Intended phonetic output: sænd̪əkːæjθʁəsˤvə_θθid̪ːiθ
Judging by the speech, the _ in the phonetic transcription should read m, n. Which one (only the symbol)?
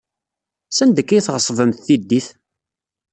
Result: m